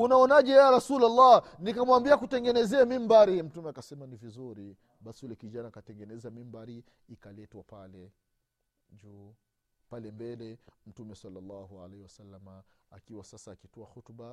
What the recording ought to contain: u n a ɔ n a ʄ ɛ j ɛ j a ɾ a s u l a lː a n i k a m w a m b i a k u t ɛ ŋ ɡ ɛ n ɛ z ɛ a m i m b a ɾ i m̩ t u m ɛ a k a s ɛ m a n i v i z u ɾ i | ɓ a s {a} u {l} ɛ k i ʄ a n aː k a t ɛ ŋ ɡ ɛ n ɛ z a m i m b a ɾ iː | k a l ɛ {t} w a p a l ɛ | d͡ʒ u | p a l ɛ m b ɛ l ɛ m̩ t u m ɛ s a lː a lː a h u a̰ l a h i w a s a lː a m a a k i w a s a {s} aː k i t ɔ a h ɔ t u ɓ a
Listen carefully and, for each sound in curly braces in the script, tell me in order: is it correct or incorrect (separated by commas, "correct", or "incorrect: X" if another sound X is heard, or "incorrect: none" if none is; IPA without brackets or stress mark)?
incorrect: i, correct, correct, correct